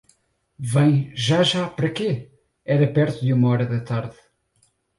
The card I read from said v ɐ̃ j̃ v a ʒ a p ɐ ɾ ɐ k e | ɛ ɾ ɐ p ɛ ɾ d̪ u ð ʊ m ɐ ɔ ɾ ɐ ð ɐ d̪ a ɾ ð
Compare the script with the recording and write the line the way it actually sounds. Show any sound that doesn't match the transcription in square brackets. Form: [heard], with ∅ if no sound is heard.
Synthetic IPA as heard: v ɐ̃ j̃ [ʒ] a ʒ a p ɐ ɾ ɐ k e | ɛ ɾ ɐ p ɛ ɾ [t̪] u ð [u] m ɐ ɔ ɾ ɐ ð ɐ [t̪] a ɾ ð